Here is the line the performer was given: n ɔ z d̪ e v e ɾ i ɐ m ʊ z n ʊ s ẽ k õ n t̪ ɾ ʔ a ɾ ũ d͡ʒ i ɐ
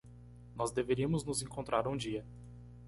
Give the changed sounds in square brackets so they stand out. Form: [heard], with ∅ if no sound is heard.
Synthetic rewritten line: n ɔ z d̪ e v e ɾ i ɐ m ʊ z n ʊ [z] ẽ k õ n t̪ ɾ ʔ a ɾ ũ d͡ʒ i ɐ